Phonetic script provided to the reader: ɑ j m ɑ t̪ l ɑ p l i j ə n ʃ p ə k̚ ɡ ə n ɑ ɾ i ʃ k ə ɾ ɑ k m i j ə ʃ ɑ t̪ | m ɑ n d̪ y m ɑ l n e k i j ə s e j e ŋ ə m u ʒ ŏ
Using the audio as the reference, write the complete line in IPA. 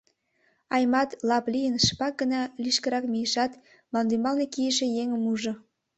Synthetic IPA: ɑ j m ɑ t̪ l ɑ p l i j ə n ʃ p ɑ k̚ ɡ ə n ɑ l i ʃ k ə ɾ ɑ k m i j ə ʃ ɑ t̪ | m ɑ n d̪ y m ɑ l n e k i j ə ʃ e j e ŋ ə m u ʒ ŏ